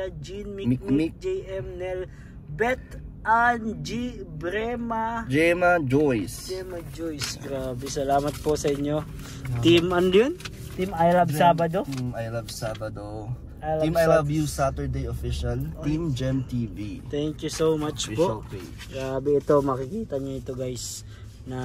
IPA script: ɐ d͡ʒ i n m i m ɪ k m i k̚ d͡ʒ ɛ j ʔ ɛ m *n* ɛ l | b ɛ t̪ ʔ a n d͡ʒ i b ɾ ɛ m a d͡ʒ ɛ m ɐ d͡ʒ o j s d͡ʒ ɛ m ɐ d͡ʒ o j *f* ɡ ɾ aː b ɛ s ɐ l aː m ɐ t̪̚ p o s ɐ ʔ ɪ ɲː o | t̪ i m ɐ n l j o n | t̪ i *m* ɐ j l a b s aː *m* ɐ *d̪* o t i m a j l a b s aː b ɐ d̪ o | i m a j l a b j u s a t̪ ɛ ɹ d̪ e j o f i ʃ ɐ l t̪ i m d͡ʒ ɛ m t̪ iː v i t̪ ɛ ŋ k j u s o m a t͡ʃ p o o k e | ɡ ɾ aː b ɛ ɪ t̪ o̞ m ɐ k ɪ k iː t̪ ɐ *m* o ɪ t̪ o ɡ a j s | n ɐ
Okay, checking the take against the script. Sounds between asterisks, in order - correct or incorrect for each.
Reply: correct, incorrect: s, correct, incorrect: b, correct, incorrect: ɲ

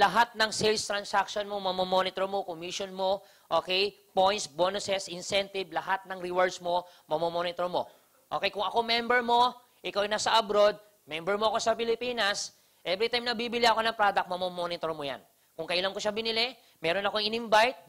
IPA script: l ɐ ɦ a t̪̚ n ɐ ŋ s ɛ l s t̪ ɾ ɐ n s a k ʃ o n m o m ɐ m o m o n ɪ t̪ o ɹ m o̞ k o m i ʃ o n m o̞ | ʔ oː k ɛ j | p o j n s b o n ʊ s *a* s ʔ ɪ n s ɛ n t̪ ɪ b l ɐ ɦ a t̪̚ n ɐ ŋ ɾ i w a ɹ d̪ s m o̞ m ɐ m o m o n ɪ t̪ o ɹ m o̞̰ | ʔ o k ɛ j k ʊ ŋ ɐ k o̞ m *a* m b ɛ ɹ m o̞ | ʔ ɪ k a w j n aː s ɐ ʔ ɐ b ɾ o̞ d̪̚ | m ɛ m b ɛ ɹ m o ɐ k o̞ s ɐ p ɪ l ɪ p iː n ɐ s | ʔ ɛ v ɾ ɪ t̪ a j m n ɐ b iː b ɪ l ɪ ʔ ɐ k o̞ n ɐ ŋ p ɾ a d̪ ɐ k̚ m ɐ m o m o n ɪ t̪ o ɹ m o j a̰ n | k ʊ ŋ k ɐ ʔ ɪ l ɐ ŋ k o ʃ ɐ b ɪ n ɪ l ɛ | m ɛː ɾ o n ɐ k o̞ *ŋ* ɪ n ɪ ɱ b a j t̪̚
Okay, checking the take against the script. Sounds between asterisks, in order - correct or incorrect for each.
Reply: incorrect: ɛ, incorrect: ɛ, correct

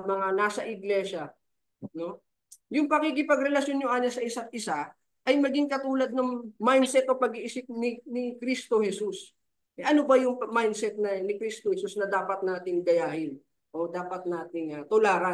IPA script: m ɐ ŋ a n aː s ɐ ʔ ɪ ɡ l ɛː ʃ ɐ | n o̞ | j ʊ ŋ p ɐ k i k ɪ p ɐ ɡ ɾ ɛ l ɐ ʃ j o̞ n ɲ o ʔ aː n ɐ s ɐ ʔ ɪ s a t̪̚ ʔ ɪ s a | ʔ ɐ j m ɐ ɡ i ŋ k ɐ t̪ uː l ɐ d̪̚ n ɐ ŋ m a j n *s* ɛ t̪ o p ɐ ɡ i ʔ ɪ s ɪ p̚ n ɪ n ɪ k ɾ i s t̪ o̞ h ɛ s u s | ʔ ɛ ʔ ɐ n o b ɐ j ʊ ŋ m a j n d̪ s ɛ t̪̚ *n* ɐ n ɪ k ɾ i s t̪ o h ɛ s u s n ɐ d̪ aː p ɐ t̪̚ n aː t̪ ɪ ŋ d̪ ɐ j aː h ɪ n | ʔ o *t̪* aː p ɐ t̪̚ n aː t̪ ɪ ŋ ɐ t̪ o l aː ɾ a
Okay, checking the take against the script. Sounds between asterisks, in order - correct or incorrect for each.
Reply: correct, correct, incorrect: d̪

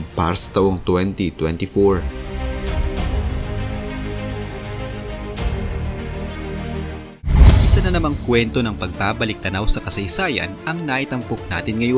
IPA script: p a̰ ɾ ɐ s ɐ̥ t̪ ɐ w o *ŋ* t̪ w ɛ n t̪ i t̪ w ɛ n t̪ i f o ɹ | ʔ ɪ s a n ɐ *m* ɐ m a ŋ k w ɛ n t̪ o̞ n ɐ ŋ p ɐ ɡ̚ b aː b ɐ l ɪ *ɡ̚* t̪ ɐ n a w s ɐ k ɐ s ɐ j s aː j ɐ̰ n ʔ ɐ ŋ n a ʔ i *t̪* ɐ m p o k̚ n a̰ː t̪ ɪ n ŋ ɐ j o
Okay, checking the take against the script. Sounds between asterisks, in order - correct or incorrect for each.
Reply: correct, incorrect: n, incorrect: k̚, correct

